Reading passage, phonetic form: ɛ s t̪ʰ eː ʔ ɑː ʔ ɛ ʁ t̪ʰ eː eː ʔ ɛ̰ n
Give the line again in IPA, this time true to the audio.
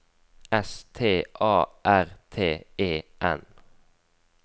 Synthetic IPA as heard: ɛ s t̪ʰ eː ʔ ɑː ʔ æ ʁ t̪ʰ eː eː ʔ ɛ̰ n